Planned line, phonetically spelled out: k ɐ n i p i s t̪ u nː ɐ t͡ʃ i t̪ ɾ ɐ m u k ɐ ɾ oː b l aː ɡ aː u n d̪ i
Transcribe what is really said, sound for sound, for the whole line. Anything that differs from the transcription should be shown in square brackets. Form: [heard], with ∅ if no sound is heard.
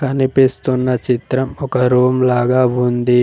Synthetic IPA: k ɐ n i p i s t̪ u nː ɐ t͡ʃ i t̪ ɾ ɐ m [ɔ] k ɐ ɾ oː [m] l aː ɡ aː u n d̪ i